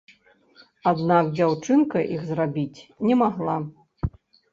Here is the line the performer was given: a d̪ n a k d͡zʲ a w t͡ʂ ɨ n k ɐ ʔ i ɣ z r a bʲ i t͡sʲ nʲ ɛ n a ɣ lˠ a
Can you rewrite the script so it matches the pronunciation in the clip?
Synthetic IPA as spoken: a d̪ n a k d͡zʲ a w t͡ʂ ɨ n k ɐ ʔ i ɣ z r a bʲ i t͡sʲ nʲ ɛ m a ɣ lˠ a